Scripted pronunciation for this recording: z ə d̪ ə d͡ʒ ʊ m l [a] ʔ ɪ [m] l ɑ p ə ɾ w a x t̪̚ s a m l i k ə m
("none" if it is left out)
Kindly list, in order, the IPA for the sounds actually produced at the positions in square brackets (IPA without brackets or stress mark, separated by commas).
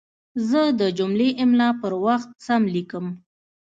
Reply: e, m